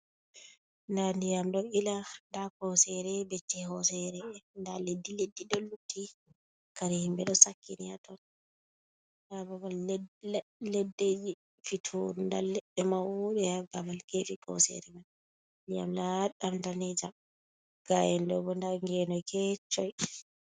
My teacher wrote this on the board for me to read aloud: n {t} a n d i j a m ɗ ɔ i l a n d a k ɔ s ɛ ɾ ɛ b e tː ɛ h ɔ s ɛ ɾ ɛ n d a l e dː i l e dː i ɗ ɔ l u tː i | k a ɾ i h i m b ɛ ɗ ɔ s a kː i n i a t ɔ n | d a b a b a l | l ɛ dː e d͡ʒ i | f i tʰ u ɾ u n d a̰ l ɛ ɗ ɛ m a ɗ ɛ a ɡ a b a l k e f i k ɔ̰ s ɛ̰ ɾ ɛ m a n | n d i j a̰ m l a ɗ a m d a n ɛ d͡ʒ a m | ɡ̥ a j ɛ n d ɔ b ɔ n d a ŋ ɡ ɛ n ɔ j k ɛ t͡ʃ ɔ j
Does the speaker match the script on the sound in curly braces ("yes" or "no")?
no